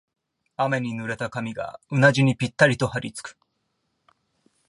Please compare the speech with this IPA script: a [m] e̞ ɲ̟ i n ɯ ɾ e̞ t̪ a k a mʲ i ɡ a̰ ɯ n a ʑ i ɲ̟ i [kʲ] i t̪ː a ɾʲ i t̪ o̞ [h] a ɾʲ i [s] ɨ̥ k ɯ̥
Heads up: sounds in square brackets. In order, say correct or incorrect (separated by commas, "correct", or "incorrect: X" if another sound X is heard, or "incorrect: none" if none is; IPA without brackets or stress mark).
correct, incorrect: pʲ, correct, incorrect: t͡s